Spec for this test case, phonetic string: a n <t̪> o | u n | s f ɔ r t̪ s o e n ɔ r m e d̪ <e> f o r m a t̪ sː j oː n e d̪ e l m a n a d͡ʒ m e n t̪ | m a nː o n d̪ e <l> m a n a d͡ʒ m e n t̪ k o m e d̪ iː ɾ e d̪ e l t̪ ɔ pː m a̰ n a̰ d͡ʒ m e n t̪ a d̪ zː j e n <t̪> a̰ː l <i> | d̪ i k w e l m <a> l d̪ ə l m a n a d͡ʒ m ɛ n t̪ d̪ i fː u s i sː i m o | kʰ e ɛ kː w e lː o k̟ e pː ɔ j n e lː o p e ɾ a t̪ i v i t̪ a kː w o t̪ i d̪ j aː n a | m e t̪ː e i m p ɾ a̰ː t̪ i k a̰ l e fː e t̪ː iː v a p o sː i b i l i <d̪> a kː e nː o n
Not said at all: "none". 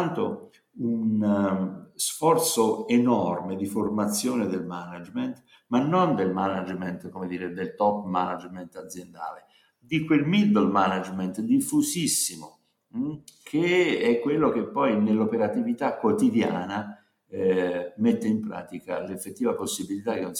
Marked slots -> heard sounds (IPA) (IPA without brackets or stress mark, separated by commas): t̪, i, l, d̪, e, i, t̪